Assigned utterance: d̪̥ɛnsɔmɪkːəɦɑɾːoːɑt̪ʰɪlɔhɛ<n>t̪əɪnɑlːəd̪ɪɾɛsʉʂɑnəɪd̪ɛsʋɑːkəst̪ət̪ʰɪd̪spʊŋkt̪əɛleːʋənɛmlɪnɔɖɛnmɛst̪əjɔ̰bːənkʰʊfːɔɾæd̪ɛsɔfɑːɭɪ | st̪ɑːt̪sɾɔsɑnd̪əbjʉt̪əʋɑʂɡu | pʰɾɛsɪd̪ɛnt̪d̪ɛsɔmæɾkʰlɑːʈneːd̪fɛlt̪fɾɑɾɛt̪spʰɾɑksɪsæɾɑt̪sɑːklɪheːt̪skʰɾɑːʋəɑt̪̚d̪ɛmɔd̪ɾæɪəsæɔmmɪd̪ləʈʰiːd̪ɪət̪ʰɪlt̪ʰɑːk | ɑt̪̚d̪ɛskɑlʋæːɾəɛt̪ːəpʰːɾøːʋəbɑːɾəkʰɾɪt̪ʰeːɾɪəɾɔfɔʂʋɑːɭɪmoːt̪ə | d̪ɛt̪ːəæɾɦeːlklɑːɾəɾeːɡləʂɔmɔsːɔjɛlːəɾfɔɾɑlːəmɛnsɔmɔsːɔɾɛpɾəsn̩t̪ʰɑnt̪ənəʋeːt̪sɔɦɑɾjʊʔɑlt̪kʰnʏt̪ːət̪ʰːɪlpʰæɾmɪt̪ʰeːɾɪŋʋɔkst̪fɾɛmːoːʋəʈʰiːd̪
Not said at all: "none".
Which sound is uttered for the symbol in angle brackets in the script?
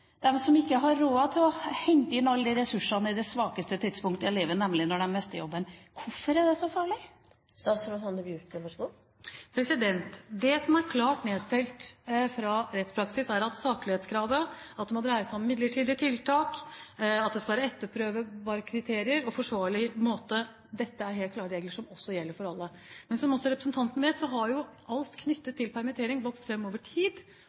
ŋ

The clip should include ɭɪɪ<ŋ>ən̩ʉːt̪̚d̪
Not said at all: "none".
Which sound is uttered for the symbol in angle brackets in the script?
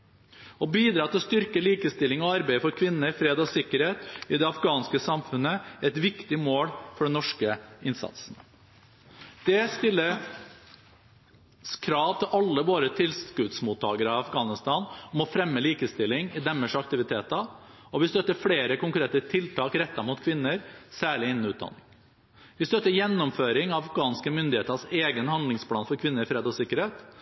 n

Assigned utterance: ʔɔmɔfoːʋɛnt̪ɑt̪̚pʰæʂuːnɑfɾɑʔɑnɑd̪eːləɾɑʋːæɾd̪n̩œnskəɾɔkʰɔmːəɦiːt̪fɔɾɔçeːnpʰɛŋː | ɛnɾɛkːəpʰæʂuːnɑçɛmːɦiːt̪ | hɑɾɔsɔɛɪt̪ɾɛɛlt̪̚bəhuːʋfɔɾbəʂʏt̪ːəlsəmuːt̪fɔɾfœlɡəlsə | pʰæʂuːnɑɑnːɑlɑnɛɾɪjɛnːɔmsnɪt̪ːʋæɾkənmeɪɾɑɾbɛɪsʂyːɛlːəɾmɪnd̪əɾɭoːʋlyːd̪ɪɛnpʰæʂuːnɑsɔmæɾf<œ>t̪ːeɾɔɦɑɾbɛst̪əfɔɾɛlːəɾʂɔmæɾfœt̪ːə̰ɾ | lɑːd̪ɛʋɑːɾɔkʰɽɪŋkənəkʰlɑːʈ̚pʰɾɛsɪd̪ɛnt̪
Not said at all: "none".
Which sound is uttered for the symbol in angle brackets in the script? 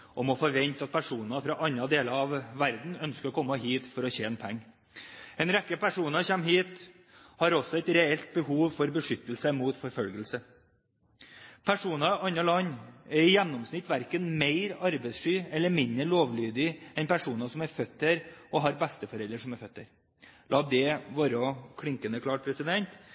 œ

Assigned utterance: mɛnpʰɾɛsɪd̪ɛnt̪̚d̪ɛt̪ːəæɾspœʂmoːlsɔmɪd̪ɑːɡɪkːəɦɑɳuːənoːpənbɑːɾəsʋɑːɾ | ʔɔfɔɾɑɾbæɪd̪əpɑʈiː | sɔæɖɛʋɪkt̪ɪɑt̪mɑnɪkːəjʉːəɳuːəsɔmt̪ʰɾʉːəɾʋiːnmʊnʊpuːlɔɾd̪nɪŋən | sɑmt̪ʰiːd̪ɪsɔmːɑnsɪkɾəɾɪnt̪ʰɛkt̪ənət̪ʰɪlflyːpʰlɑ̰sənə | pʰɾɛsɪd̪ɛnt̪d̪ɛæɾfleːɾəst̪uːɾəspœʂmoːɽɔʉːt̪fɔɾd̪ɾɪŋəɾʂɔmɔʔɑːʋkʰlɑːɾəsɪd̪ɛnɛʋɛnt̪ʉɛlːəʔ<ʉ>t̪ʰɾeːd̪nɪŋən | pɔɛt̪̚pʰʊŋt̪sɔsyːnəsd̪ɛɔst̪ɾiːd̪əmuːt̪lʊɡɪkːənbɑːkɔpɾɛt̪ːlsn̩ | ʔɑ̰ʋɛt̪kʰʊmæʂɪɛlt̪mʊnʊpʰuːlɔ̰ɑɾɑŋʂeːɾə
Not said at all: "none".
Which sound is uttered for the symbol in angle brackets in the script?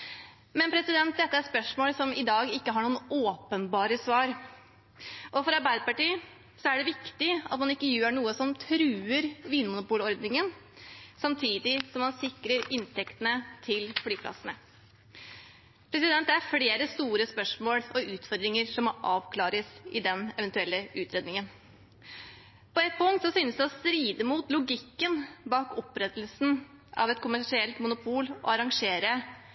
ʉː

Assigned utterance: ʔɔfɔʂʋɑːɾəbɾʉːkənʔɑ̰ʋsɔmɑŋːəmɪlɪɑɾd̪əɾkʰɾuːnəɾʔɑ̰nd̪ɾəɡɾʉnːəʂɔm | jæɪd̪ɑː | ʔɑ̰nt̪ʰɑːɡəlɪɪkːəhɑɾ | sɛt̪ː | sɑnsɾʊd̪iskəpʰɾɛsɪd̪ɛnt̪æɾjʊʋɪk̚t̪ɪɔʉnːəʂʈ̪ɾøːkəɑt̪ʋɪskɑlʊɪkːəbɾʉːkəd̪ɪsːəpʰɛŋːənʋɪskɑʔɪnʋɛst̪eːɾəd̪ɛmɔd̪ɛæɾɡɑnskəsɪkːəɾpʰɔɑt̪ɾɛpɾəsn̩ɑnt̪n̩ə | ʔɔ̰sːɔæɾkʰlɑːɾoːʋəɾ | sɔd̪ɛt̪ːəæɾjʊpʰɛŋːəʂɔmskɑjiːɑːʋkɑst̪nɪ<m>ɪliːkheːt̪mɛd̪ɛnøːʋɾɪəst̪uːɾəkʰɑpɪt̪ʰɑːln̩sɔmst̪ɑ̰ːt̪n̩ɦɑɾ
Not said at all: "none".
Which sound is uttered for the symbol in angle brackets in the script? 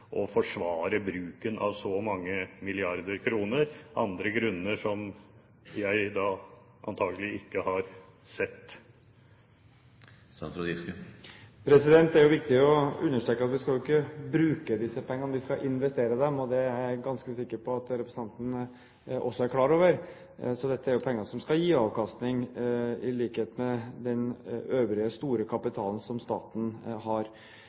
ŋ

